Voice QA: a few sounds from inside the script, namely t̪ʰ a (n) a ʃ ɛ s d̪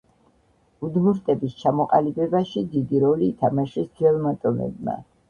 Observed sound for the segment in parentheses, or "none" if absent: m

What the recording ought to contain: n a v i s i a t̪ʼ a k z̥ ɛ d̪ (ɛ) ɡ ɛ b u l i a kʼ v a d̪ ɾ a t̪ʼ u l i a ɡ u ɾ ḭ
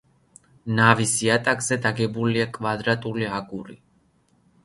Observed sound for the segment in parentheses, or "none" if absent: a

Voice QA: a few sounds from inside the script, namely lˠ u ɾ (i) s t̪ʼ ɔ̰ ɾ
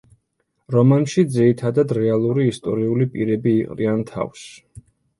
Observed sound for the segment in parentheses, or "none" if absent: iː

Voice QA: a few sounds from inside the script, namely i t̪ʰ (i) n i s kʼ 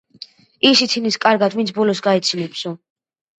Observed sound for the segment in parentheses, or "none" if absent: i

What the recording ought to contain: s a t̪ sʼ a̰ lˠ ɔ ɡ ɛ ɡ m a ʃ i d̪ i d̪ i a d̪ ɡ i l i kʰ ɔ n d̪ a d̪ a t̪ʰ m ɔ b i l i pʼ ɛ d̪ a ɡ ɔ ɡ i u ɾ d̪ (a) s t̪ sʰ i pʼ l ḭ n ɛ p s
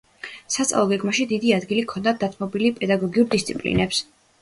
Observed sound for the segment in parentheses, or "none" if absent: i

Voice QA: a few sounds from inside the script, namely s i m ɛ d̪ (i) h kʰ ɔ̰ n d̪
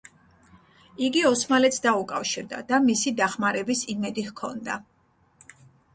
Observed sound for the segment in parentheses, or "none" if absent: i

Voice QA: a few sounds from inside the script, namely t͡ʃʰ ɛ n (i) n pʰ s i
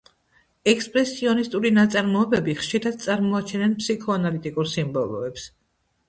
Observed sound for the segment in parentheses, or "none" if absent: ɛ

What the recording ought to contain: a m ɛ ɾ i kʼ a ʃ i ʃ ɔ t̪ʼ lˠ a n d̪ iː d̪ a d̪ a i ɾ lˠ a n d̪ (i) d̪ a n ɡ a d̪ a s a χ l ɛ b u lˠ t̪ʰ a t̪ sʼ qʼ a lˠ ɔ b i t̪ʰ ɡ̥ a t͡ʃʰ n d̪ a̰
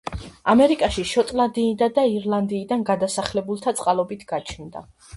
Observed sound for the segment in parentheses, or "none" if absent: iː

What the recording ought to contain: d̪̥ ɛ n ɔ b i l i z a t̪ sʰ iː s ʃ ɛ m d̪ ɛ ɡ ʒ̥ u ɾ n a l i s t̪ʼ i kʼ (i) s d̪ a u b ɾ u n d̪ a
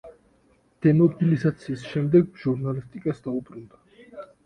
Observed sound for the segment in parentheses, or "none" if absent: a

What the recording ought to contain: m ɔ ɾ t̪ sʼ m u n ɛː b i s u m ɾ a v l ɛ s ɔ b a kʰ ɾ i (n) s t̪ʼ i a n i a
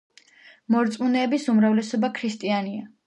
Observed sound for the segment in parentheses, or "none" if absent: none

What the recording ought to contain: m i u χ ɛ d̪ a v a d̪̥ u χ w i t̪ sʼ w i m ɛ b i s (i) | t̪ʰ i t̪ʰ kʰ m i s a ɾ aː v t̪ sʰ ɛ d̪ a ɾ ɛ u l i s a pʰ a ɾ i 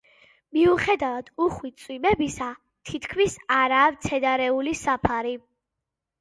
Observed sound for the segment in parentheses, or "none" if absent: a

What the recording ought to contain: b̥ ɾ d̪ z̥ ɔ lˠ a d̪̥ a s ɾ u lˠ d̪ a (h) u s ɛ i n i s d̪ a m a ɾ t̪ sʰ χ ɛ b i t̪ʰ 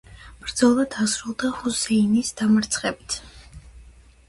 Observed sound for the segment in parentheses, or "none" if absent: h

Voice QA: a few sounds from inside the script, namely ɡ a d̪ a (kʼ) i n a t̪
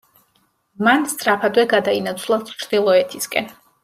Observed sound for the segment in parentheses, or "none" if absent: none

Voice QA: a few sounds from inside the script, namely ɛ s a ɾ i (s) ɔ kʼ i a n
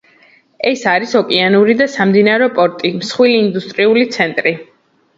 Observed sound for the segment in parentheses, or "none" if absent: s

